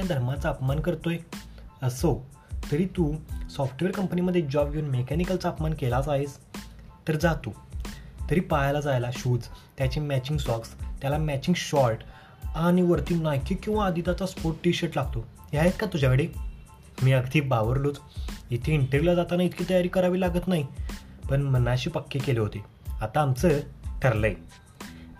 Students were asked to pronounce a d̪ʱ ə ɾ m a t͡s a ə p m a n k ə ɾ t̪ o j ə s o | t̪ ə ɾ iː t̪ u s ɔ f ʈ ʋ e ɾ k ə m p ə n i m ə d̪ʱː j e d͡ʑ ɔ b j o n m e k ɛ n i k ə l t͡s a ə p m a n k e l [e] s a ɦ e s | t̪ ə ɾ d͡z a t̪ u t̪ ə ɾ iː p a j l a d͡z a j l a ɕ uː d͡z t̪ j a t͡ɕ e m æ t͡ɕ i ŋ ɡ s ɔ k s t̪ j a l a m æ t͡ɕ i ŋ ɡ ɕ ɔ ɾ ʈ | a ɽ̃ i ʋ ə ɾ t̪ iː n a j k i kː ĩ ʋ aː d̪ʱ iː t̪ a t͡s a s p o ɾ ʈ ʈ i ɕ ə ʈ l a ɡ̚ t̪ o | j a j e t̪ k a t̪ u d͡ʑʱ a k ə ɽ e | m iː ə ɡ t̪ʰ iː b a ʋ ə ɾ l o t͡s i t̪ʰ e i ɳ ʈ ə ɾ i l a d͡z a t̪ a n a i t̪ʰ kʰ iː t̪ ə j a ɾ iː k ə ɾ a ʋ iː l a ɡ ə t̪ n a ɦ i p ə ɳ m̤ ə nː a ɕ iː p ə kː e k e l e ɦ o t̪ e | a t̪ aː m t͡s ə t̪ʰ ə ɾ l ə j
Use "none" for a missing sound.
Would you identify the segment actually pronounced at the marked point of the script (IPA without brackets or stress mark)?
a